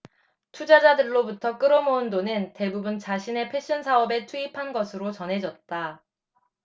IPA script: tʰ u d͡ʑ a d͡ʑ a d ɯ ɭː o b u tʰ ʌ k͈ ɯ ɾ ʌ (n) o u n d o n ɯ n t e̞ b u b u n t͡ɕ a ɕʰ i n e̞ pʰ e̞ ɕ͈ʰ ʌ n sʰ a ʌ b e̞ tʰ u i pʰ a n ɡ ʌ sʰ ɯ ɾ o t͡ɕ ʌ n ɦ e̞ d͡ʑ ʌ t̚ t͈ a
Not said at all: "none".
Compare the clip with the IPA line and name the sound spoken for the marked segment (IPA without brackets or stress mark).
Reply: m